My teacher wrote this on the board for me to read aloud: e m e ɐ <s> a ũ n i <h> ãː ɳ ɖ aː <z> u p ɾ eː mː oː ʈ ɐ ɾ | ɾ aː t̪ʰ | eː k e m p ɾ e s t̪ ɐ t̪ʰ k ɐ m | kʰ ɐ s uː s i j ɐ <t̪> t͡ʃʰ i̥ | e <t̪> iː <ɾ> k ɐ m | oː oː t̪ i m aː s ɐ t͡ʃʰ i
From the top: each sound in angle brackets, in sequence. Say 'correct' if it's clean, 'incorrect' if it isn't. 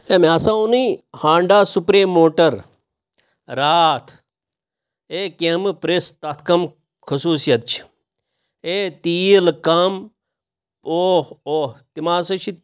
correct, correct, incorrect: s, correct, correct, incorrect: l

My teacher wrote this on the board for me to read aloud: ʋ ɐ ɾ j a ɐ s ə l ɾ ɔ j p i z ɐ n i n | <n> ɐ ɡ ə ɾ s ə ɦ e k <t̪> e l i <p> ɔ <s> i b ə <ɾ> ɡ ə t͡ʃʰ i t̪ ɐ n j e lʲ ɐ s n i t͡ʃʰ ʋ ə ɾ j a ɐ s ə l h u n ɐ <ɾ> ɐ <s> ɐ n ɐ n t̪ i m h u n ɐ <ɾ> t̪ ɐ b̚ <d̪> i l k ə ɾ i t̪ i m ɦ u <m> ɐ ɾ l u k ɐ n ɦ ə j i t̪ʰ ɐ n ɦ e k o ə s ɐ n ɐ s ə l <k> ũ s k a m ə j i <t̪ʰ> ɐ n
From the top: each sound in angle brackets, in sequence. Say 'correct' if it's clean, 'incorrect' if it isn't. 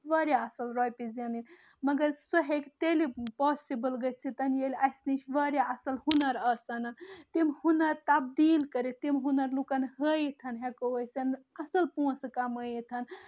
incorrect: m, correct, correct, correct, incorrect: l, correct, correct, correct, correct, incorrect: n, incorrect: p, correct

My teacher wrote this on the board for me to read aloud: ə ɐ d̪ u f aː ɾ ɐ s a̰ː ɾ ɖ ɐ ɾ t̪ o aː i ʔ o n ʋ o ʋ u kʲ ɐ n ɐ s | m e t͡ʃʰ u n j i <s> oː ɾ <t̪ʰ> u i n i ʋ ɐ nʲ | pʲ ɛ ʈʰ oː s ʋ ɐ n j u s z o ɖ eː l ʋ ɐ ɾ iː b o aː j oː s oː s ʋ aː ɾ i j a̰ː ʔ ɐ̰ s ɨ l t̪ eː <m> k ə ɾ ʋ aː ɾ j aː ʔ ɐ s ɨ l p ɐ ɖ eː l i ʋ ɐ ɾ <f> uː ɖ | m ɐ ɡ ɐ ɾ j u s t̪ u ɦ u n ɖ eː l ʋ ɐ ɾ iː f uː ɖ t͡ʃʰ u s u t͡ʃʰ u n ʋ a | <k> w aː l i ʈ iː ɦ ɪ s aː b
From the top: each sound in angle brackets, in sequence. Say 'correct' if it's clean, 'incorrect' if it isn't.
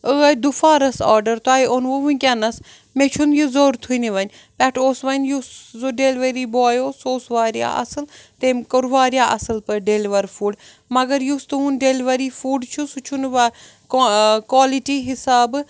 incorrect: z, correct, correct, correct, correct

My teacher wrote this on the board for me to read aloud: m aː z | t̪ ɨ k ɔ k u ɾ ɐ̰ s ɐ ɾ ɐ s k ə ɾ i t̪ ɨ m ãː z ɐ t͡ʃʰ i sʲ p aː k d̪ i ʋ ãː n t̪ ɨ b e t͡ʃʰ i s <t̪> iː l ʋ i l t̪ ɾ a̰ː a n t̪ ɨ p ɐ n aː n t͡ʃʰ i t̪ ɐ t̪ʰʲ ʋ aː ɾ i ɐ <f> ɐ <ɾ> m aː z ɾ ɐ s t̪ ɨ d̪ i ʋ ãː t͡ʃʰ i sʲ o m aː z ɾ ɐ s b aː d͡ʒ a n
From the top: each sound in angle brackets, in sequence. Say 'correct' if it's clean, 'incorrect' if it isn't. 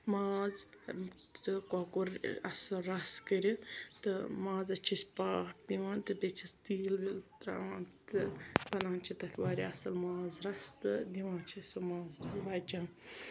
correct, incorrect: s, incorrect: l

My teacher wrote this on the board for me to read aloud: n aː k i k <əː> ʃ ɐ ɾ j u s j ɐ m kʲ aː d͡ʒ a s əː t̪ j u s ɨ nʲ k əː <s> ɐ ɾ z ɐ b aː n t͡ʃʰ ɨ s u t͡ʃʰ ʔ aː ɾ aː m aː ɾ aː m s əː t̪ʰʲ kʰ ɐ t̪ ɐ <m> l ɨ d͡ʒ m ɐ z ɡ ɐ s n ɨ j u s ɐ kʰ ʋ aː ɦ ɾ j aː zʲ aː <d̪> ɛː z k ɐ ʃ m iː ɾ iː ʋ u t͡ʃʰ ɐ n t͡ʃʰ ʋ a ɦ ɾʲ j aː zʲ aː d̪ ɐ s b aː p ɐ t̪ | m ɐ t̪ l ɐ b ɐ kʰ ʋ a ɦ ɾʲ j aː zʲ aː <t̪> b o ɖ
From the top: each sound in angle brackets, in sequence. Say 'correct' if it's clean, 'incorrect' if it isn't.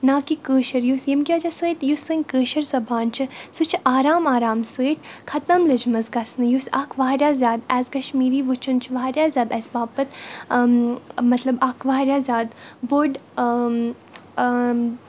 correct, incorrect: ʃ, correct, correct, incorrect: d̪

